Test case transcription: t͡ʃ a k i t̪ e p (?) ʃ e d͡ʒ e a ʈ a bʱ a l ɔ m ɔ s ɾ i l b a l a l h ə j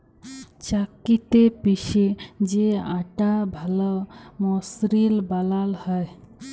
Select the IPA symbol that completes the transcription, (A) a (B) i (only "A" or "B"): B